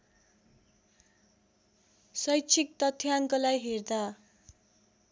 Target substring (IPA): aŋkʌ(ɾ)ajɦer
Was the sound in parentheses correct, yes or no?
no